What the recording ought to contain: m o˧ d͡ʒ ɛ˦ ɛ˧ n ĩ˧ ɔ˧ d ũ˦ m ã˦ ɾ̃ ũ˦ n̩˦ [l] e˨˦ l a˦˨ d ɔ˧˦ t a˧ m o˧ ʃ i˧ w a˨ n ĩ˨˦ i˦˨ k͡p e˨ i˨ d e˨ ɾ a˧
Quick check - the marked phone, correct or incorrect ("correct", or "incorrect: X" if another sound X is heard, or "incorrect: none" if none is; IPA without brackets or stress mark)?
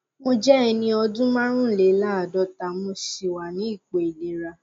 correct